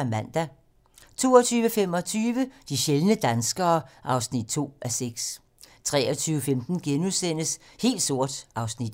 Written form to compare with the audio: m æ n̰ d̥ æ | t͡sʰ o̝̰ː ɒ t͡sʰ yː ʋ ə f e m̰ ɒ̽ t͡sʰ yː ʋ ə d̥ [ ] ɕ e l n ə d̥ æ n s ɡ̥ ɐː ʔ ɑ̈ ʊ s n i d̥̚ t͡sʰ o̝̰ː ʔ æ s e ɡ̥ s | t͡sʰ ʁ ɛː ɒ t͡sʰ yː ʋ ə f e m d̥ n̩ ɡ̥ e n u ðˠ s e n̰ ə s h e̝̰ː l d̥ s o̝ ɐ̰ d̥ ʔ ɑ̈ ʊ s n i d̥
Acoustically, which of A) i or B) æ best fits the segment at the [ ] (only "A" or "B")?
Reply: A